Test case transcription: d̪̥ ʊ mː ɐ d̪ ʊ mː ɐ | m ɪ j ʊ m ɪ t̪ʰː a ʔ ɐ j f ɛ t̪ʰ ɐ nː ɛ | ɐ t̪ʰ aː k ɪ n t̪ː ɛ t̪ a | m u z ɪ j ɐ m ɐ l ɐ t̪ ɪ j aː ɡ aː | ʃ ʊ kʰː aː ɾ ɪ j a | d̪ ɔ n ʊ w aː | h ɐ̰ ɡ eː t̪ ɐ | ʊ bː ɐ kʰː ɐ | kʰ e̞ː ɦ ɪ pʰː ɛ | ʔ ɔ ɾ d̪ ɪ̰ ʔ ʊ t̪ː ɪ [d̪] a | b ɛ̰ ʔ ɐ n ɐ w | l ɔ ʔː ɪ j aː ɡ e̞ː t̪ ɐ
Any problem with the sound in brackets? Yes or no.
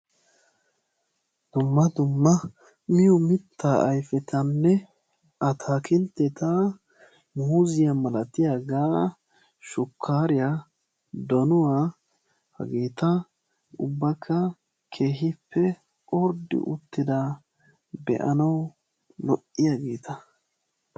no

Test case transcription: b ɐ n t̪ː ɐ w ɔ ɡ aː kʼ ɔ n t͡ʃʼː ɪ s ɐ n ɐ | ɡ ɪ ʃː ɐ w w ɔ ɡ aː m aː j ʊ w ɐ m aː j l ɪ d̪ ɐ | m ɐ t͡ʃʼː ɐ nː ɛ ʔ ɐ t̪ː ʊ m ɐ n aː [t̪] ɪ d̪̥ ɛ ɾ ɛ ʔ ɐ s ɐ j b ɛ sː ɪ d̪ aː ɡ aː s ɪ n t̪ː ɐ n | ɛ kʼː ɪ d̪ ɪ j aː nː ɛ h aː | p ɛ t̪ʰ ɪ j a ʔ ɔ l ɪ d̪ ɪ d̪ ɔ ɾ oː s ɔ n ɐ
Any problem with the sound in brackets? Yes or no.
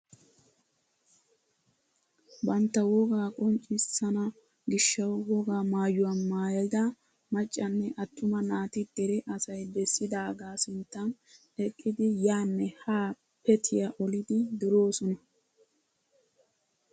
no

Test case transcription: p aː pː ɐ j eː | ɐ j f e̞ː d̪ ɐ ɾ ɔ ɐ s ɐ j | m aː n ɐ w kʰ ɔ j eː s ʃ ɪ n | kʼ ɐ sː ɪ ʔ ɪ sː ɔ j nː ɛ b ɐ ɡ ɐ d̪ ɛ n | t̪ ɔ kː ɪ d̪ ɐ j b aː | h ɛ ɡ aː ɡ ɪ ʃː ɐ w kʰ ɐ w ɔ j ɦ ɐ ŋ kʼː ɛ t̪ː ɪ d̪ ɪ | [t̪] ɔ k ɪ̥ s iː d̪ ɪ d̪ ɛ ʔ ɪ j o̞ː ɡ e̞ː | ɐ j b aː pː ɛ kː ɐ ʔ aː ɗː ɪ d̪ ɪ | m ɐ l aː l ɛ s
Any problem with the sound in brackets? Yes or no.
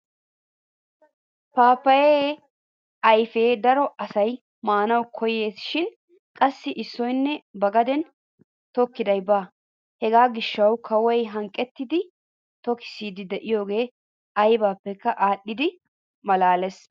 no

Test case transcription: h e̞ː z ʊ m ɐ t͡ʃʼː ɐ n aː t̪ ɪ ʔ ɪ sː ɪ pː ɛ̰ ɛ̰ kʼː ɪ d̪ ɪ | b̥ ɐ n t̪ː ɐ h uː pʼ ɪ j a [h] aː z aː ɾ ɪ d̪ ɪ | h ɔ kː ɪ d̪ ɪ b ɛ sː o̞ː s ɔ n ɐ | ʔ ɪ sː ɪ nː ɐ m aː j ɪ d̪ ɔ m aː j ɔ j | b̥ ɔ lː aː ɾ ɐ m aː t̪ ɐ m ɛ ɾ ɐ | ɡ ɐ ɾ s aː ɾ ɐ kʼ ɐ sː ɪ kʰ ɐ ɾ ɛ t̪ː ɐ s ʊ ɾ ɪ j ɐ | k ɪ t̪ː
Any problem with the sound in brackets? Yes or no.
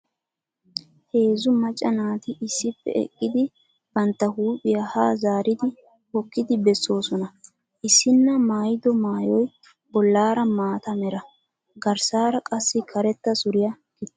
no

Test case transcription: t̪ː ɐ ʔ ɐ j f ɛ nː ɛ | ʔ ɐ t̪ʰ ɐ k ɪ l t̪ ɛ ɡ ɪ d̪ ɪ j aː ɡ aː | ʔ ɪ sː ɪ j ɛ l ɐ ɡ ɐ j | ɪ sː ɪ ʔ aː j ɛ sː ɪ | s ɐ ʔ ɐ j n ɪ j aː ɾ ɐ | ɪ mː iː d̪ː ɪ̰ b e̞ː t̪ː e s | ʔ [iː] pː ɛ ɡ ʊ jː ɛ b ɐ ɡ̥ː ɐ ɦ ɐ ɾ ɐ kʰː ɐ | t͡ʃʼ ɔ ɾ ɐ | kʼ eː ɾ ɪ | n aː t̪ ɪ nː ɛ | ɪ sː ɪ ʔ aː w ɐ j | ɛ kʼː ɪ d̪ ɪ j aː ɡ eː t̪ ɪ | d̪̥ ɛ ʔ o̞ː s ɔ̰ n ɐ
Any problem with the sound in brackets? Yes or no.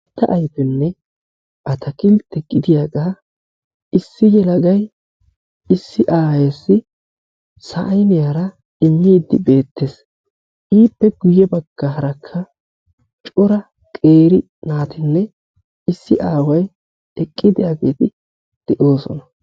no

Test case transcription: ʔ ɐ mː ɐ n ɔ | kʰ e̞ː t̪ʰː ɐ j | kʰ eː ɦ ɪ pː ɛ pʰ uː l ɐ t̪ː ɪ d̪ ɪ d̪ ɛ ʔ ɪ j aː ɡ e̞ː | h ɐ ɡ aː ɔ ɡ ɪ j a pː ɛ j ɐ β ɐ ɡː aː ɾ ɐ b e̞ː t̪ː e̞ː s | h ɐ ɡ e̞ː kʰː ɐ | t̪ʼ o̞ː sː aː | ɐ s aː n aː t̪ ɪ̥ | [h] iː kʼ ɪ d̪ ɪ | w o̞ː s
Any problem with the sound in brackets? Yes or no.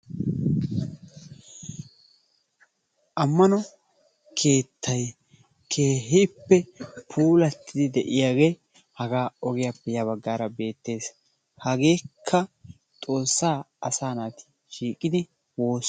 yes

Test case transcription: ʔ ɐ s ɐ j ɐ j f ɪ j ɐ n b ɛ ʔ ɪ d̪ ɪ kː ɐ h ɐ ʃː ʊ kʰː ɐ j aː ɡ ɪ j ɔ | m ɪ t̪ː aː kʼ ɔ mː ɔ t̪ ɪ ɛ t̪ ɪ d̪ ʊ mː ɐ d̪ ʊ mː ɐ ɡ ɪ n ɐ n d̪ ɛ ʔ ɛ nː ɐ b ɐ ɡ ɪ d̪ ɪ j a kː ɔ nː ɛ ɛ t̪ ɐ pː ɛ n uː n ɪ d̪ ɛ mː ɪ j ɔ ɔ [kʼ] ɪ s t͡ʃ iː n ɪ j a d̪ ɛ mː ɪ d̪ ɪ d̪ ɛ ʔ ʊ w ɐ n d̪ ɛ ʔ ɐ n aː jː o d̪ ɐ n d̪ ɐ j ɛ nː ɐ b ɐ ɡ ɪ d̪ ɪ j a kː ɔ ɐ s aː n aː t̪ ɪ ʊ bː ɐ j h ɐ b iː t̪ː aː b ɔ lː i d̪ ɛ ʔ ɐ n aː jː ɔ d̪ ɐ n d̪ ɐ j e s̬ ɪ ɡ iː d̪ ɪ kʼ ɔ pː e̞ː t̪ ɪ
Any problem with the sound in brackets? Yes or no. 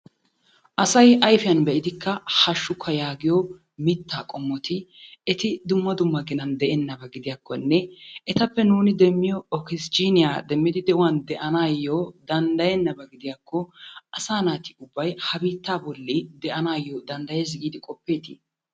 yes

